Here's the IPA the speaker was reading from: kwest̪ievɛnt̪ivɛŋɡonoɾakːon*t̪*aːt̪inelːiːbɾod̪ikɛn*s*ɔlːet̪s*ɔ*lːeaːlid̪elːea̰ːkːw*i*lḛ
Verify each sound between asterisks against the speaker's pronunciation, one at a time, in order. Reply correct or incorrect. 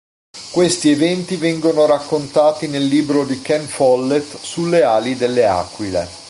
correct, incorrect: f, incorrect: u, correct

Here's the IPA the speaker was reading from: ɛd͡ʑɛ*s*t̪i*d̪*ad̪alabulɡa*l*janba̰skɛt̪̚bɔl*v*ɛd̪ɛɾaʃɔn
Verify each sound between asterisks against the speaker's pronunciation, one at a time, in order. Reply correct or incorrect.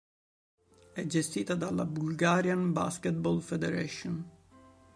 correct, incorrect: t̪, incorrect: ɾ, incorrect: f

